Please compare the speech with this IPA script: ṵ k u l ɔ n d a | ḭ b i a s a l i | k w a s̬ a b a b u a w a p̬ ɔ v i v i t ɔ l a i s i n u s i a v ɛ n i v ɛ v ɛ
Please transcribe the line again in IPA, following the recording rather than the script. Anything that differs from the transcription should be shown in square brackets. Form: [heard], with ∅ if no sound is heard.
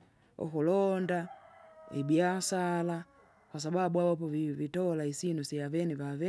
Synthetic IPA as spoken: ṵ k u l ɔ n d a | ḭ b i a s a l [a] | k w a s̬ a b a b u a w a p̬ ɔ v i v i t ɔ l a i s i n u s i a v ɛ n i v [a] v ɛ